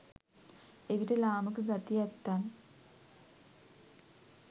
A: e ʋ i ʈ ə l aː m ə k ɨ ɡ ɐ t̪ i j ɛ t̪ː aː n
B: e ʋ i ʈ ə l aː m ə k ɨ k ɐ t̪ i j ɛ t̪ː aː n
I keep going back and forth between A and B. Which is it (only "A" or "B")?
A